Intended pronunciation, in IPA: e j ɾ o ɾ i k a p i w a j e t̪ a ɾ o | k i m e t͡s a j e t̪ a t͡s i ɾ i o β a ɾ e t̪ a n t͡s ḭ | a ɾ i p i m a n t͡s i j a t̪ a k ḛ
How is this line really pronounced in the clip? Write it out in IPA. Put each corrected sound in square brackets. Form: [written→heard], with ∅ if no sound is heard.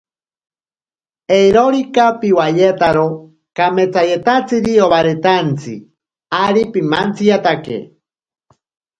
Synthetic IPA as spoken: e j ɾ o ɾ i k a p i w a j e t̪ a ɾ o | k [i→a] m e t͡s a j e t̪ a t͡s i ɾ i o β a ɾ e t̪ a n t͡s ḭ | a ɾ i p i m a n t͡s i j a t̪ a k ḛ